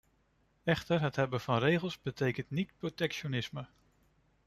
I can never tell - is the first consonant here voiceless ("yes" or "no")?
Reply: yes